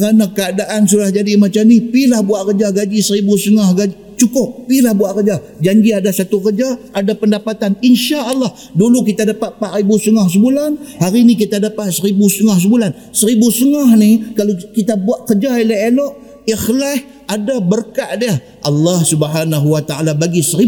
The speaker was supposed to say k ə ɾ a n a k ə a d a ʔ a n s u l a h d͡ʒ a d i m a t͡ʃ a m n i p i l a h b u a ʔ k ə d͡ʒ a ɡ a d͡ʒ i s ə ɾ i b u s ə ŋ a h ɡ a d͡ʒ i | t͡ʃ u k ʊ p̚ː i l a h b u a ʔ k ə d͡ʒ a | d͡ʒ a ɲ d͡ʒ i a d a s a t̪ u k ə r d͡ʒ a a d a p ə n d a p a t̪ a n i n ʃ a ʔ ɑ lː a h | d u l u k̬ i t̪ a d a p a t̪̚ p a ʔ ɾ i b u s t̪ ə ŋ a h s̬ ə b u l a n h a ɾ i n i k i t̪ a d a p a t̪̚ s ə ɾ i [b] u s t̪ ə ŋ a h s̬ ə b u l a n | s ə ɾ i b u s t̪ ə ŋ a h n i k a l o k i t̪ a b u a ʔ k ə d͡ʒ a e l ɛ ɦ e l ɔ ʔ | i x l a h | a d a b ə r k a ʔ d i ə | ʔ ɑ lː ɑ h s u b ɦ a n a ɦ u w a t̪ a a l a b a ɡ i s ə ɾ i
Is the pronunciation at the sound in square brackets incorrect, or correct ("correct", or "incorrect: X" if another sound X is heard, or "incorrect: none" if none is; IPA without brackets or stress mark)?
correct